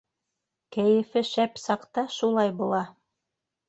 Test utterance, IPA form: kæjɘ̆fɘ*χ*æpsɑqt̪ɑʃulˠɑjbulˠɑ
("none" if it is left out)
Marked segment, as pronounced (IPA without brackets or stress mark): ʃ